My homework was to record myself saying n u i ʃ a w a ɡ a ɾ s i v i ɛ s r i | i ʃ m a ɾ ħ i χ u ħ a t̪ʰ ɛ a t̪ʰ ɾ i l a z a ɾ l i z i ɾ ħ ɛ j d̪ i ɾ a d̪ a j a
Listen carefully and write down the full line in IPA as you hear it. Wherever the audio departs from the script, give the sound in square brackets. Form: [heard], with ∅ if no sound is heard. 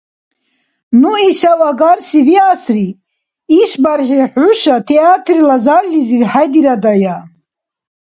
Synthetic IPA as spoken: n u i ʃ a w a ɡ a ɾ s i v i [a] s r i | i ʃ [b] a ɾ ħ i [ħ] u [ʃ] a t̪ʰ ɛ a t̪ʰ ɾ i l a z a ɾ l i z i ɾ ħ [a] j d̪ i ɾ a d̪ a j a